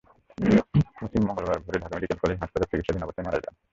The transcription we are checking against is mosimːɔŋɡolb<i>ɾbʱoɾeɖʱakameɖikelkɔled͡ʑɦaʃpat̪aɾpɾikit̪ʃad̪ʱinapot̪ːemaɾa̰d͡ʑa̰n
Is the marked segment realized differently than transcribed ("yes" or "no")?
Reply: yes